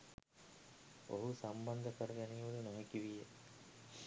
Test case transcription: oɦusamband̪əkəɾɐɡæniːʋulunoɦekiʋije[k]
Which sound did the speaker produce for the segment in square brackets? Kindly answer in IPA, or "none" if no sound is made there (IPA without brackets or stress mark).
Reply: none